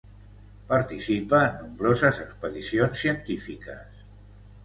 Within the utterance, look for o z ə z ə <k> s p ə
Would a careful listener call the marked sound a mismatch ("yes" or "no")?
no